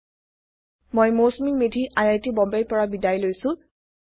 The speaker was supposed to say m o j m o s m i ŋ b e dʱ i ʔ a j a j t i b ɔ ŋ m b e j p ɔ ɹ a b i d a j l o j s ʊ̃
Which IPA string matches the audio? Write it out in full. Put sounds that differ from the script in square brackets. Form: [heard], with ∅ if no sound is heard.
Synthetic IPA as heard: m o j m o s m i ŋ [m] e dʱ i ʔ a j a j t i b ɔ [∅] m b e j p ɔ ɹ a b i d a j l o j s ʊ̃